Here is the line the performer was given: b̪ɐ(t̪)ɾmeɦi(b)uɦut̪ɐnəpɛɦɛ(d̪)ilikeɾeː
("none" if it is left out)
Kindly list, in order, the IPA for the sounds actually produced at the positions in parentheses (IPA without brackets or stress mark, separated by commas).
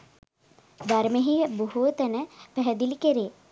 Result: none, b, d̪